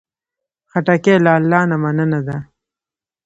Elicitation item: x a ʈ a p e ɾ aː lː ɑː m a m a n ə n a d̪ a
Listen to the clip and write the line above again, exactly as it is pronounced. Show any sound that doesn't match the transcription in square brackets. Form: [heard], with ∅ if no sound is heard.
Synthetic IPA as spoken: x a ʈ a [k] e [l] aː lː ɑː [n] a m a n ə n a d̪ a